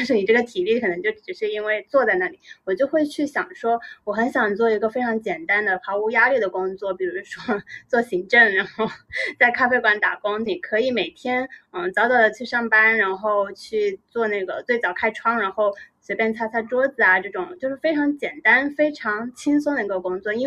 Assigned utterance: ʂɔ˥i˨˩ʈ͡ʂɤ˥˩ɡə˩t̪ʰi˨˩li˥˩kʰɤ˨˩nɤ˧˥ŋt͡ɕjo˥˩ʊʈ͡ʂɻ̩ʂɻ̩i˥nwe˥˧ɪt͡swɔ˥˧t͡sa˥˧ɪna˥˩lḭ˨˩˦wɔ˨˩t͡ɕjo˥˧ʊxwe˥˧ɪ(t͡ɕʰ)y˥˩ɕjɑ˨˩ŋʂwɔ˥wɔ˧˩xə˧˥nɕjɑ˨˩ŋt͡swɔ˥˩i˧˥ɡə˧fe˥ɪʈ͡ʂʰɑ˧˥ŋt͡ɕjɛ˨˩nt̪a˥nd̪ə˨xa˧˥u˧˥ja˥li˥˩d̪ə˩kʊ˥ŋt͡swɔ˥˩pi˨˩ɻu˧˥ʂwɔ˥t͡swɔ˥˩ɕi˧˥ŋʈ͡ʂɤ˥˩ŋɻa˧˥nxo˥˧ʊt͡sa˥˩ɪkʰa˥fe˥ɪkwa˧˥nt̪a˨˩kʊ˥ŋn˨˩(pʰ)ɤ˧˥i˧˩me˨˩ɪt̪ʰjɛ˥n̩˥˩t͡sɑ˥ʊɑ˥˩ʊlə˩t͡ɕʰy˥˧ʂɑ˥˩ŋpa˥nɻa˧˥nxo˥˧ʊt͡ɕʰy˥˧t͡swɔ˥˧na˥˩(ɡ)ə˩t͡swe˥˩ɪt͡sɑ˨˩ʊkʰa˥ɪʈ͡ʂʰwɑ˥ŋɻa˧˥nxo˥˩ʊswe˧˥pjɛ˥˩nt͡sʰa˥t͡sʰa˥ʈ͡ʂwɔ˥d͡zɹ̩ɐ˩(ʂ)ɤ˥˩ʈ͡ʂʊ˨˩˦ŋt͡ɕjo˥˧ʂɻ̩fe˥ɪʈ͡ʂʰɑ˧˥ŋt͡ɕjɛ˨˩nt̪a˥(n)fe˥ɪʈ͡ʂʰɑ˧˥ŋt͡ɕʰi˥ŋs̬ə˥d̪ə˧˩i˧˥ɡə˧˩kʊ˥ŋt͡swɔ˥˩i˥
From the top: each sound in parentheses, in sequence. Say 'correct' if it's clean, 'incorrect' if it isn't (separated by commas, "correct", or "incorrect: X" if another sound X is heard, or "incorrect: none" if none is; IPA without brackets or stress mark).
correct, incorrect: kʰ, correct, incorrect: ʈ͡ʂ, correct